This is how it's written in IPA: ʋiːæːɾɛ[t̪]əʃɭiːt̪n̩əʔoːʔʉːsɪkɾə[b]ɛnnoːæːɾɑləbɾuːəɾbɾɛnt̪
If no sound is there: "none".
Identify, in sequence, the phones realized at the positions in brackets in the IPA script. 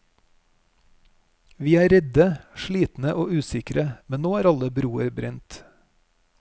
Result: d̪, m

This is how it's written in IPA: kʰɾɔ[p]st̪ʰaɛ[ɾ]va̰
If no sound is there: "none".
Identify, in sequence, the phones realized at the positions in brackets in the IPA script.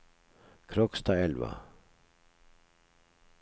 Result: k, l

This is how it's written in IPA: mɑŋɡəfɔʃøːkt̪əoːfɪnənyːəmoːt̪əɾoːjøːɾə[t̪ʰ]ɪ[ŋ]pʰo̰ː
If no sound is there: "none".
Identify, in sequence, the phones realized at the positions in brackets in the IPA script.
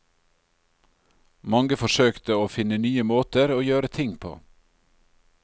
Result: t̪ʰ, ŋ

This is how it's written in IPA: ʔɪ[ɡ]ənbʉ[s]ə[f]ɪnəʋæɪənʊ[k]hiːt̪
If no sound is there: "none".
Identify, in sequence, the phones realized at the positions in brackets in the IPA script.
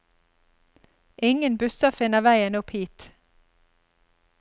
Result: ŋ, s, f, p

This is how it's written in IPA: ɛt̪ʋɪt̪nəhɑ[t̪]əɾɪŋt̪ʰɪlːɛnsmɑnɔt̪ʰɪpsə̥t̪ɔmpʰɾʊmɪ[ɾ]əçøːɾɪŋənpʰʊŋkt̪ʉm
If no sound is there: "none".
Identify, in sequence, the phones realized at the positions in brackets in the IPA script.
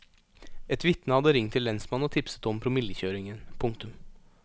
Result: d̪, l

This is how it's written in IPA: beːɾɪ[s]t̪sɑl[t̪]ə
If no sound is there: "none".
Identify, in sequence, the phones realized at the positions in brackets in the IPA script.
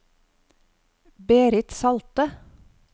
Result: none, t̪

